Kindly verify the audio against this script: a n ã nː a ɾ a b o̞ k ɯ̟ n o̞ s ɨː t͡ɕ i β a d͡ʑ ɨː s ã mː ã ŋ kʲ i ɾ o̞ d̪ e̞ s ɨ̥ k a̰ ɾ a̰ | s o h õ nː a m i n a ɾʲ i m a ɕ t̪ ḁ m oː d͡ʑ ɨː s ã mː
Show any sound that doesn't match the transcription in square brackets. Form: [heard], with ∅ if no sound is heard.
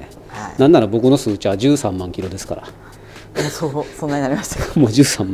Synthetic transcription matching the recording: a n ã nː a ɾ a b o̞ k ɯ̟ n o̞ s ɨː t͡ɕ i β a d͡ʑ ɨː s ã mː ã ŋ kʲ i ɾ o̞ d̪ e̞ s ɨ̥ k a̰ ɾ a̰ | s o [s] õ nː a [ɲ] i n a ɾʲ i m a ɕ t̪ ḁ m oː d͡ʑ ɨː s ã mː

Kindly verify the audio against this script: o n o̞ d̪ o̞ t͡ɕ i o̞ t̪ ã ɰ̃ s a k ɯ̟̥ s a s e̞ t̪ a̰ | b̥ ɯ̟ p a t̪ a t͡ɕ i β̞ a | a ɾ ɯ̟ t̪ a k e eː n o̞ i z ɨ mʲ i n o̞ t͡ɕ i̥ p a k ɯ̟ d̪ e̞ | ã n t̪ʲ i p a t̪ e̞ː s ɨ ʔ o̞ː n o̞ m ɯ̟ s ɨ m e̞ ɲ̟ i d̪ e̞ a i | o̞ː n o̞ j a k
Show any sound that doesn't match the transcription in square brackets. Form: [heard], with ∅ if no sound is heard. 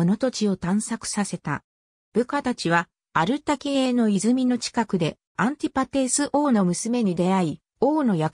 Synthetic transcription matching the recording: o n o̞ [t̪] o̞ t͡ɕ i o̞ t̪ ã ɰ̃ s a k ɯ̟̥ s a s e̞ t̪ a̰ | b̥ ɯ̟ [k] a t̪ a t͡ɕ i β̞ a | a ɾ ɯ̟ t̪ a k e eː n o̞ i z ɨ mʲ i n o̞ t͡ɕ i̥ [k] a k ɯ̟ d̪ e̞ | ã n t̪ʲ i p a t̪ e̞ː s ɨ ʔ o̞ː n o̞ m ɯ̟ s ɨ m e̞ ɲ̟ i d̪ e̞ a i | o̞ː n o̞ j a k

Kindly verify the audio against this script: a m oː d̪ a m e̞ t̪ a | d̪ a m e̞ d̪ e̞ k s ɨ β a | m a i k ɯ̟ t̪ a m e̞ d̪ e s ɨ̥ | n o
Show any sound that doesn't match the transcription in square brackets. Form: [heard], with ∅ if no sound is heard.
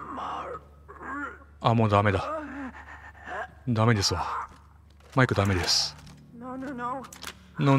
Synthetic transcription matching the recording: a m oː d̪ a m e̞ [d̪] a | d̪ a m e̞ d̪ e̞ [∅] s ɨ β a | m a i k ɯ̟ [d̪] a m e̞ d̪ e s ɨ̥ | n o

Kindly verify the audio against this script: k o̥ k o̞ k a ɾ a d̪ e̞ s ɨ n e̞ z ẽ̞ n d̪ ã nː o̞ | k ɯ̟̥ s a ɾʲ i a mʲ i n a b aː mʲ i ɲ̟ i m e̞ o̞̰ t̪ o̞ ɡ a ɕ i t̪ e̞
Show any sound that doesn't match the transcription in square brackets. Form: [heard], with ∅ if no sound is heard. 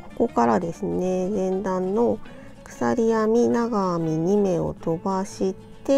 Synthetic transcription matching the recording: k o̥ k o̞ k a ɾ a d̪ e̞ s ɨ n e̞ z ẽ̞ n d̪ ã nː o̞ | k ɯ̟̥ s a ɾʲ i a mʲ i n a [ɡ] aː mʲ i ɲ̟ i m e̞ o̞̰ t̪ o̞ [b] a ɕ i t̪ e̞

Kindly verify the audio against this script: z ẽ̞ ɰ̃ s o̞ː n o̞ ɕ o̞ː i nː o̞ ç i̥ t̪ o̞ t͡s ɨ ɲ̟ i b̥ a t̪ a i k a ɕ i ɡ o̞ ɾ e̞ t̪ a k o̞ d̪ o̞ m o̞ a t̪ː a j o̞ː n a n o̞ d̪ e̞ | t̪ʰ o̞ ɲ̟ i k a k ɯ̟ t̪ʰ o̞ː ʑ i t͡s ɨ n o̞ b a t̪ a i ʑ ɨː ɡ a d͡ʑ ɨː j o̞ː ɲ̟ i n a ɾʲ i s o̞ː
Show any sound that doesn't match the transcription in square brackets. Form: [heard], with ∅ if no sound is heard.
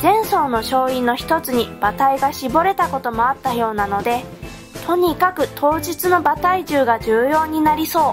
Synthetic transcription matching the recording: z ẽ̞ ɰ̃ s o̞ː n o̞ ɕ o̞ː i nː o̞ ç i̥ t̪ o̞ t͡s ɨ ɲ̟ i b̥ a t̪ a i [ɡ] a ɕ i [b] o̞ ɾ e̞ t̪ a k o̞ [t̪] o̞ m o̞ a t̪ː a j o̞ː n a n o̞ d̪ e̞ | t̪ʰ o̞ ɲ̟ i k a k ɯ̟ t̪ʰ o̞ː ʑ i t͡s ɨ n o̞ b a t̪ a i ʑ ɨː ɡ a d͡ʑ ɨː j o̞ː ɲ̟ i n a ɾʲ i s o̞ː

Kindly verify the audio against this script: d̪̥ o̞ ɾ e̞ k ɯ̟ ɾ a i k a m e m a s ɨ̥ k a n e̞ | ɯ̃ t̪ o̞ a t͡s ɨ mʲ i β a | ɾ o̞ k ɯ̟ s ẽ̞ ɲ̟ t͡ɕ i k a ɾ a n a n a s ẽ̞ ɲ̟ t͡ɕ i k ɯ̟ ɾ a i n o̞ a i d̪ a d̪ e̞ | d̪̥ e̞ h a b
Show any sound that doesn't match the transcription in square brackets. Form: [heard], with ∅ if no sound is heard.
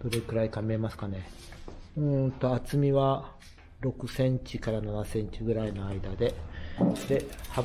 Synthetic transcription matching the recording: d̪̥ o̞ ɾ e̞ k ɯ̟ ɾ a i k a m e m a s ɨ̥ k a n e̞ | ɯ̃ t̪ o̞ a t͡s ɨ mʲ i β a | ɾ o̞ k ɯ̟ s ẽ̞ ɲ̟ t͡ɕ i k a ɾ a n a n a s ẽ̞ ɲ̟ t͡ɕ i [ɡ] ɯ̟ ɾ a i n o̞ a i d̪ a d̪ e̞ | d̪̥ e̞ h a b

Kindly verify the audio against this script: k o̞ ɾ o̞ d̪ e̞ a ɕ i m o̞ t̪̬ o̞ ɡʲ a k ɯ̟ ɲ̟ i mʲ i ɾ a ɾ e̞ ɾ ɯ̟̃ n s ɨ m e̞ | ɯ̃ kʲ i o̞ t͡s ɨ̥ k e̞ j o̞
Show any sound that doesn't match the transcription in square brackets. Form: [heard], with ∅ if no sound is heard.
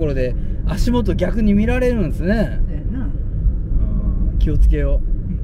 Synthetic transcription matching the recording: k o̞ ɾ o̞ d̪ e̞ a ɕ i m o̞ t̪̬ o̞ ɡʲ a k ɯ̟ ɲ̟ i mʲ i ɾ a ɾ e̞ ɾ ɯ̟̃ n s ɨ [n] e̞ | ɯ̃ kʲ i o̞ t͡s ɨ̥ k e̞ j o̞

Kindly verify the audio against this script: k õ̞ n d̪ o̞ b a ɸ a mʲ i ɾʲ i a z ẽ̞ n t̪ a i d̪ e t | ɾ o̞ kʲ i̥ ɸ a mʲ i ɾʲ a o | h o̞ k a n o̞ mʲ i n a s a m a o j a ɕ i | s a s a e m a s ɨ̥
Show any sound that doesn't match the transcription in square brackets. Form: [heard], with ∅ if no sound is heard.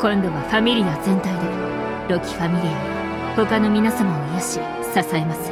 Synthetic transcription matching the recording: k õ̞ n d̪ o̞ [β] a ɸ a mʲ i ɾʲ i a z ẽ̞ n t̪ a i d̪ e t | ɾ o̞ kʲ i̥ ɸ a mʲ i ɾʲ [i] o | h o̞ k a n o̞ mʲ i n a s a m a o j a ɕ i | s a s a e m a s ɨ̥

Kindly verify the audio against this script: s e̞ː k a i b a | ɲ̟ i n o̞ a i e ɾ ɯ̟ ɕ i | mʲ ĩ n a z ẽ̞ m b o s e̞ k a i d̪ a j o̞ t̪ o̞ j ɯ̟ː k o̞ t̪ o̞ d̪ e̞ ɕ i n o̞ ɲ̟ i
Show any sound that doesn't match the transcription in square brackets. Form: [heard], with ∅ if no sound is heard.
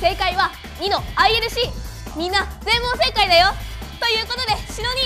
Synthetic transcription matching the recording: s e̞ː k a i [β] a | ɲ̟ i n o̞ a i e ɾ ɯ̟ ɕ i | mʲ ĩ [nː] a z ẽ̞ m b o s e̞ k a i d̪ a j o̞ t̪ o̞ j ɯ̟ː k o̞ t̪ o̞ d̪ e̞ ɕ i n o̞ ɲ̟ i

